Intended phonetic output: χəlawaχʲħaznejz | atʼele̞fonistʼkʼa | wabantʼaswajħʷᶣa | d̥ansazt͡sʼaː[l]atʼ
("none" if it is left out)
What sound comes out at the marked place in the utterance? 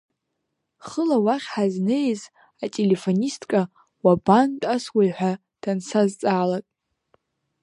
l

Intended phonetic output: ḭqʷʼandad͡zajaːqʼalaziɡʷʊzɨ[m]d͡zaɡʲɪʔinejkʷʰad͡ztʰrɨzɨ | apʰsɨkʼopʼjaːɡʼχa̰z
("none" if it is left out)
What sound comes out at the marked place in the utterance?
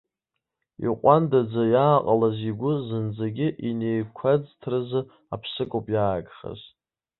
n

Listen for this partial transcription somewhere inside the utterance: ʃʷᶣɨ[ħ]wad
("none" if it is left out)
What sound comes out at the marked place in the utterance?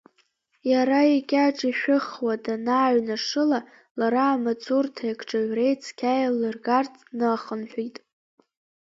χ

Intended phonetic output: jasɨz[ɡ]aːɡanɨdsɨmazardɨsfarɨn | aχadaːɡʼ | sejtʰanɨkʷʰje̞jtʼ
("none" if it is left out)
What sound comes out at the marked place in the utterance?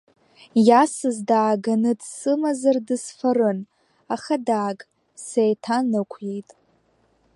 d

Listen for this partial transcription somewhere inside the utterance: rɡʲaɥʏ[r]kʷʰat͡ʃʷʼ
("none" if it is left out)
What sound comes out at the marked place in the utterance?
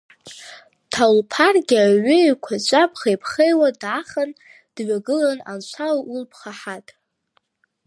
none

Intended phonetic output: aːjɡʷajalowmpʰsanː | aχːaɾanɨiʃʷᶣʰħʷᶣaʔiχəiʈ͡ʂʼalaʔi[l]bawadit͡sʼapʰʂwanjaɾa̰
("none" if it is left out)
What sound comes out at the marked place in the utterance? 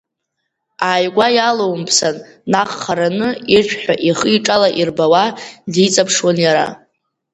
r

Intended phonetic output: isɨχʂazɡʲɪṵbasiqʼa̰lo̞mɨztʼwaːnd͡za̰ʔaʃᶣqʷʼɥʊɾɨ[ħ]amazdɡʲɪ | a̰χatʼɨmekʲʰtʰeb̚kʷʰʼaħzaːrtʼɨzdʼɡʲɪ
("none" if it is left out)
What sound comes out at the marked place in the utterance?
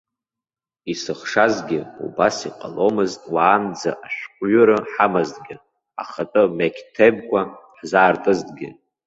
ħ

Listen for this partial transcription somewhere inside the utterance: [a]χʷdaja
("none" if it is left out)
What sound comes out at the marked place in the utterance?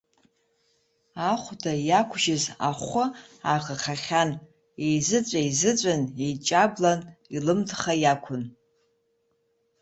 a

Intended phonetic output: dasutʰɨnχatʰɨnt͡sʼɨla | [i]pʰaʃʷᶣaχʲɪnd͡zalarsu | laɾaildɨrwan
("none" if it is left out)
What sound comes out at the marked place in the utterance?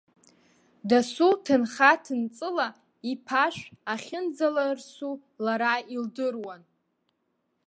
i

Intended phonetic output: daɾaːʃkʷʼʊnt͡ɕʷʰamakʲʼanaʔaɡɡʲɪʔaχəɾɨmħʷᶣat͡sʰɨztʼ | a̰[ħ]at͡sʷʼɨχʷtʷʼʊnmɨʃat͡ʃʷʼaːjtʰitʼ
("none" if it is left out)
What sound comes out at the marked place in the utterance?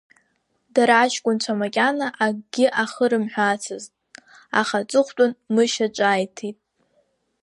χ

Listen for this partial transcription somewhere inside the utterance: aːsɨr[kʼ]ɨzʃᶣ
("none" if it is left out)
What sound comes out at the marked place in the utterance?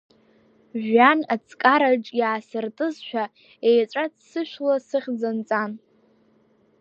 tʼ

